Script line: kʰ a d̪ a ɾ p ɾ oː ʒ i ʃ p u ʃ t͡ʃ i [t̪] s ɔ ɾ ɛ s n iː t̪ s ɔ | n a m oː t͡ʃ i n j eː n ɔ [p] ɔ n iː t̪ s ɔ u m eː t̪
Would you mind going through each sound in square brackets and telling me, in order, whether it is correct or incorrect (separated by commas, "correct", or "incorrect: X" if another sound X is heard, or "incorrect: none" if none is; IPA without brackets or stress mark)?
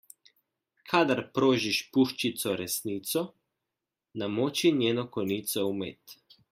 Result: correct, incorrect: k